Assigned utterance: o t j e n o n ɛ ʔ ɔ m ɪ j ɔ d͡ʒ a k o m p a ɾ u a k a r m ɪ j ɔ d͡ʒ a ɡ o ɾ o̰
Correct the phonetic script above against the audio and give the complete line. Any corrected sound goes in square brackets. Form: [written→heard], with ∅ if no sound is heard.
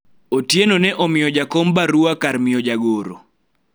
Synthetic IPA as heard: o t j e n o n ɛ ʔ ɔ m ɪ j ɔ d͡ʒ a k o m [p→b] a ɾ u a k a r m ɪ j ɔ d͡ʒ a ɡ o ɾ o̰